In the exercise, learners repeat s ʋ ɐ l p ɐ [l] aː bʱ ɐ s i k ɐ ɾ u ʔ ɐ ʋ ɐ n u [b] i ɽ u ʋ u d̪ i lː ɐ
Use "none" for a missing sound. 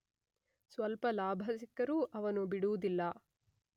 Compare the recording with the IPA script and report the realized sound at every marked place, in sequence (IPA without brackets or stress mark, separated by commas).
l, b